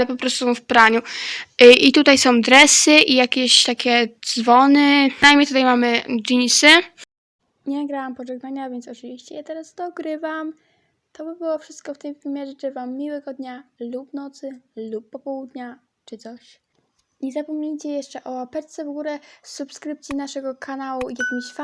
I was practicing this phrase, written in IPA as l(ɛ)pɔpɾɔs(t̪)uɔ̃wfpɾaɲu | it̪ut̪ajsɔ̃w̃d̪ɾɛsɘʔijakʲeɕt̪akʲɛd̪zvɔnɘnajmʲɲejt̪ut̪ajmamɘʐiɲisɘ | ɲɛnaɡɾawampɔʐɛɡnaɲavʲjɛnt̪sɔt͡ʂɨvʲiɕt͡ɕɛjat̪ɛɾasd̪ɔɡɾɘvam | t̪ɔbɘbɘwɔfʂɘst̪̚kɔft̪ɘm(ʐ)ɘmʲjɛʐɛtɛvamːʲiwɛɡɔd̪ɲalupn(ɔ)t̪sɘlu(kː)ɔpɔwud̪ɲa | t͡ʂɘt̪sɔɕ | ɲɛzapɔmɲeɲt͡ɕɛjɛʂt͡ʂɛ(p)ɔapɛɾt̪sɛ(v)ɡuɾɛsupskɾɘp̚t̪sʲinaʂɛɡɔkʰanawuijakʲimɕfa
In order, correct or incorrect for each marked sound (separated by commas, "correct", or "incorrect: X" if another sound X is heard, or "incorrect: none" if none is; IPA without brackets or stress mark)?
correct, correct, incorrect: v, correct, incorrect: pː, incorrect: ʔ, correct